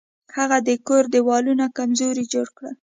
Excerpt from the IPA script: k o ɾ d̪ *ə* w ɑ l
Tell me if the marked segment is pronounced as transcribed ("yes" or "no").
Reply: yes